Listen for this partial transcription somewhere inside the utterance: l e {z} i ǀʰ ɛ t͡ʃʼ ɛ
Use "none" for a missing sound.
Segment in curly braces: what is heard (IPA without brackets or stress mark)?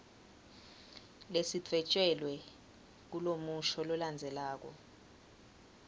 s